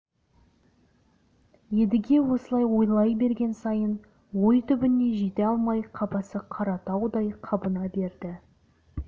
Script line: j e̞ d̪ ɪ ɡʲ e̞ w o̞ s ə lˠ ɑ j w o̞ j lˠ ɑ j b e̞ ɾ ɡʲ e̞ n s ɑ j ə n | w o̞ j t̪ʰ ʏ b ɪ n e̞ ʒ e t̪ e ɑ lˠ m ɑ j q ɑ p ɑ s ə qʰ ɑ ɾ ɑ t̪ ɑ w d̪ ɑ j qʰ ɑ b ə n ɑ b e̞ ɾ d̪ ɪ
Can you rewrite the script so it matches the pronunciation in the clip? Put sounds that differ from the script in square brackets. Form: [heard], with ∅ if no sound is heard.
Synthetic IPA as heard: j e̞ d̪ ɪ ɡʲ e̞ w o̞ s ə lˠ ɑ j w o̞ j lˠ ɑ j b e̞ ɾ ɡʲ e̞ n s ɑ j ə n | w o̞ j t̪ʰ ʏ b ɪ n e̞ ʒ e t̪ e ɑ lˠ m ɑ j [qʰ] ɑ p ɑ s ə qʰ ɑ ɾ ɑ t̪ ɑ w d̪ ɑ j qʰ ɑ b ə n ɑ b e̞ ɾ d̪ ɪ